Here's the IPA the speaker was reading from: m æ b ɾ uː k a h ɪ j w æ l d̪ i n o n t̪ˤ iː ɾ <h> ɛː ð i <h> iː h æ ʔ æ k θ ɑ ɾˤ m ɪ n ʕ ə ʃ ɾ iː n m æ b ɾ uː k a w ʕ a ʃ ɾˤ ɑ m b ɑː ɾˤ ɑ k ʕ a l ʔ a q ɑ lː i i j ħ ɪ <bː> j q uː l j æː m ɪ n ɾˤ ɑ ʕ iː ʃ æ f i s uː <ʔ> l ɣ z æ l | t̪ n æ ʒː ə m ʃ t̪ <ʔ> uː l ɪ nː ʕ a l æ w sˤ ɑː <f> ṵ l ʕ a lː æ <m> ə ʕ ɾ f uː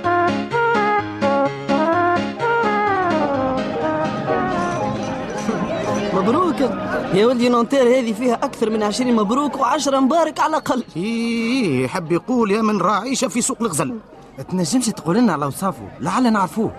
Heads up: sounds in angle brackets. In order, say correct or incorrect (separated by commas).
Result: correct, incorrect, correct, incorrect, incorrect, correct, incorrect